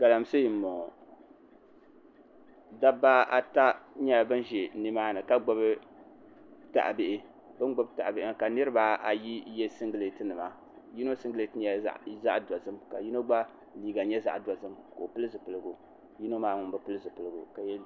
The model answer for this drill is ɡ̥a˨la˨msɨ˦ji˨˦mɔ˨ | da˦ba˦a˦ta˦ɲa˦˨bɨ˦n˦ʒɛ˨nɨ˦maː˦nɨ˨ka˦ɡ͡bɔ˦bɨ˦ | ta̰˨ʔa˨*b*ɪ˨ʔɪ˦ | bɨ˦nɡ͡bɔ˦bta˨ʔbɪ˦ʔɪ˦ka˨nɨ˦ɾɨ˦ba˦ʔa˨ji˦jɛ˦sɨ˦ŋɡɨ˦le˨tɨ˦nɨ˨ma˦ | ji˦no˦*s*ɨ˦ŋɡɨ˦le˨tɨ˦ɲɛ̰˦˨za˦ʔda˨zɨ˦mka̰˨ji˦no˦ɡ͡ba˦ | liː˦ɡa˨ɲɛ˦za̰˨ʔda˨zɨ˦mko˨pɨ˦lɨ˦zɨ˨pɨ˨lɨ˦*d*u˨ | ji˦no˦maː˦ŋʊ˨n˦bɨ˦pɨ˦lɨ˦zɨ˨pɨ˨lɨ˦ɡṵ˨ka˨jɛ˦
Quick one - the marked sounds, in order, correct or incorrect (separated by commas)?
correct, correct, incorrect